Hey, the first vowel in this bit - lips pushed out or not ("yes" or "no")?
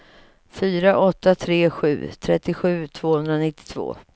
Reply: yes